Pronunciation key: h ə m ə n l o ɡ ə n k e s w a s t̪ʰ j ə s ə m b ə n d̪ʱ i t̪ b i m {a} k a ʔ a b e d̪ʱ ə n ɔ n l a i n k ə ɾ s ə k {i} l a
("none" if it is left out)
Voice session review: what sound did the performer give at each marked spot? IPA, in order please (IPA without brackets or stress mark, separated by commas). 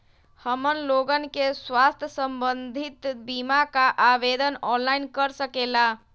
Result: a, e